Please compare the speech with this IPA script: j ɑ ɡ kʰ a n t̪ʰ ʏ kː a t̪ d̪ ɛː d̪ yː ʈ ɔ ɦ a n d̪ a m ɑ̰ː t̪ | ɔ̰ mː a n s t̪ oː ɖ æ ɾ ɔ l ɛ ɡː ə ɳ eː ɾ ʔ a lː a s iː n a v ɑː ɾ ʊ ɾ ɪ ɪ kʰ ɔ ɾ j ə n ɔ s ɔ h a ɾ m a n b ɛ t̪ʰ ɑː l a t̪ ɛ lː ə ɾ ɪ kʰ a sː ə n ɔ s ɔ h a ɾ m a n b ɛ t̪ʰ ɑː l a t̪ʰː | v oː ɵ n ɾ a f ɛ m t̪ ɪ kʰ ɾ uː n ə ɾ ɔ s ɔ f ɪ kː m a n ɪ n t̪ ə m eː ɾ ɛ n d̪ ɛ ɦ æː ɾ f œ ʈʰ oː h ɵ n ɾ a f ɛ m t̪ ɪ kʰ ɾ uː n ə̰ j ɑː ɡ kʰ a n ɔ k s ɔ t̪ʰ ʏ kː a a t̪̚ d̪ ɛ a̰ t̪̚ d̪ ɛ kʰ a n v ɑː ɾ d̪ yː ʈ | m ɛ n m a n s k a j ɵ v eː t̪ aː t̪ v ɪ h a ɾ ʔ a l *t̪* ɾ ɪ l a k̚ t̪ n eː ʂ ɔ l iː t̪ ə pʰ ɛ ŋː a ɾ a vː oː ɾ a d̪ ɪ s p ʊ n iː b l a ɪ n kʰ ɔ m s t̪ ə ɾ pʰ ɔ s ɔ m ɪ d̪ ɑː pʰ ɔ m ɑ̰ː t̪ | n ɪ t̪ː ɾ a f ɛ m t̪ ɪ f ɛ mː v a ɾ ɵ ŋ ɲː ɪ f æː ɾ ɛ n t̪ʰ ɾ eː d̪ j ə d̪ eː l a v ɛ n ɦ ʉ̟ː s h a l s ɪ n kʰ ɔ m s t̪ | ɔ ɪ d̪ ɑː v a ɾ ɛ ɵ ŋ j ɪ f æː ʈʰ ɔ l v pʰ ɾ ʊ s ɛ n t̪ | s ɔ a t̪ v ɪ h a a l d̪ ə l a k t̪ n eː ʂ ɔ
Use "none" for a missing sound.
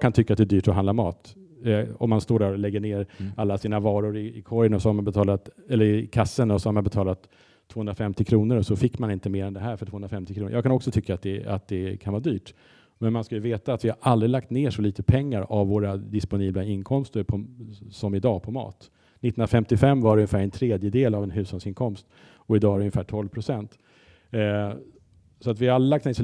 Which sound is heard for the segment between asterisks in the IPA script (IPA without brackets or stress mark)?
d̪